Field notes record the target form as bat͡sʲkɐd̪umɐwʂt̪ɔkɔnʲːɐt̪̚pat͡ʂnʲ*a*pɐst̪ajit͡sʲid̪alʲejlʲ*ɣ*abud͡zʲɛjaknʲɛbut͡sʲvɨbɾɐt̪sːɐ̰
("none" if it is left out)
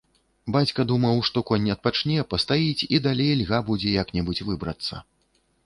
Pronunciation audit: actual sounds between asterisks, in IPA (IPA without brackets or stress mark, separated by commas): ɛ, ɣ